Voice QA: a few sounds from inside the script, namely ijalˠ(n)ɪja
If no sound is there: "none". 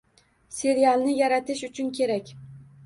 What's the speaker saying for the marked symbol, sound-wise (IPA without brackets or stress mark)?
n